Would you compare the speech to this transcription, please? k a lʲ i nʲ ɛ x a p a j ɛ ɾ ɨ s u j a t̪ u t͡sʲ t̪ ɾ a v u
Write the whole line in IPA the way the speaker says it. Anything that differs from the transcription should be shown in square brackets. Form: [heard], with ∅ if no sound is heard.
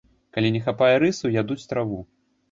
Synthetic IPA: k a lʲ i nʲ ɛ x a p a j ɛ ɾ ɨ s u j a [d̪] u t͡sʲ t̪ ɾ a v u